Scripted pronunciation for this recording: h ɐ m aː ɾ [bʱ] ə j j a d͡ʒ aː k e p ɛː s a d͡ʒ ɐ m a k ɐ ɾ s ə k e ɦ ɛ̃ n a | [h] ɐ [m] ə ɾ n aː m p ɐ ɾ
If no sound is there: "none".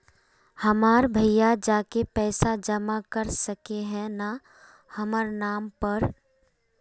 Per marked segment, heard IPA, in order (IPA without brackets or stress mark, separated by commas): bʱ, h, m